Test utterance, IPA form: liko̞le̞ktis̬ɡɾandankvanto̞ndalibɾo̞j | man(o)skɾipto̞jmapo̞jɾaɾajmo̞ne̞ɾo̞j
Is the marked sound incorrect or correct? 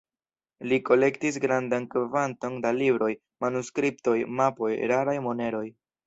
incorrect